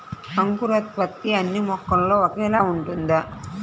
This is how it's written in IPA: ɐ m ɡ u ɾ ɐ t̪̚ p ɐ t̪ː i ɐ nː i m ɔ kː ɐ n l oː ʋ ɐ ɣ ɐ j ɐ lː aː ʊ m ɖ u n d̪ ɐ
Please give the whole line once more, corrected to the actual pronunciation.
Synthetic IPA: ɐ ŋ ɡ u ɾ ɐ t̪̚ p ɐ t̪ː i ɐ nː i m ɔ kː ɐ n l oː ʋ ɐ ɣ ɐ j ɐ l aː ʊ ɳ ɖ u n d̪ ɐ